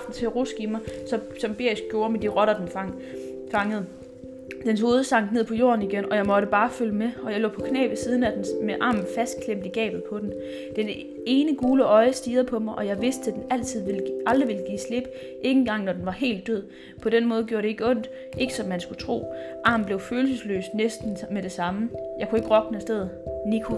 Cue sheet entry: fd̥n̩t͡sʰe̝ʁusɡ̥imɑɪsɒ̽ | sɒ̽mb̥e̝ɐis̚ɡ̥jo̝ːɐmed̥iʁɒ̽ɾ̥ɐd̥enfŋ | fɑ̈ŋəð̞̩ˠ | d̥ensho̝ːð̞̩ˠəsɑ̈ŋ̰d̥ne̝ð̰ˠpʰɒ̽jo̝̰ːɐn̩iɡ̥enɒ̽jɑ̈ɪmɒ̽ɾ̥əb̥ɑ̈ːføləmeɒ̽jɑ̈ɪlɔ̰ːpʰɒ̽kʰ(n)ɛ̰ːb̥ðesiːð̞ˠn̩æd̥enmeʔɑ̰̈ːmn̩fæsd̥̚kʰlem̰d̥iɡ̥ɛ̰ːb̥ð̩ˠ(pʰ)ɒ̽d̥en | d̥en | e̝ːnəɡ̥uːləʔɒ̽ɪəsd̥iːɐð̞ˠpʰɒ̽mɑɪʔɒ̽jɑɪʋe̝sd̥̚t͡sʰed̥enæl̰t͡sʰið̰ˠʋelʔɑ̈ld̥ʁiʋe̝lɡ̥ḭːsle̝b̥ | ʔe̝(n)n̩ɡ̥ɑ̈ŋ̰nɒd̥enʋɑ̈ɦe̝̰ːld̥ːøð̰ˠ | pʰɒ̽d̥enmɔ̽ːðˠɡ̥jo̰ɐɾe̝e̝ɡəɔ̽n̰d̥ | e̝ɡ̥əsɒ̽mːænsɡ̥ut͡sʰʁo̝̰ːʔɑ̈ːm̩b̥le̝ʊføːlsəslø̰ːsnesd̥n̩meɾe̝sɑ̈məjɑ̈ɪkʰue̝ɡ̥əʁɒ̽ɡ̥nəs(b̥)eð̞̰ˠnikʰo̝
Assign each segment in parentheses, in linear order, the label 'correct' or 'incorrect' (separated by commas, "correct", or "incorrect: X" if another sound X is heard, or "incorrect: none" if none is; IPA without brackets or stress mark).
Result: correct, correct, incorrect: ŋ, incorrect: d̥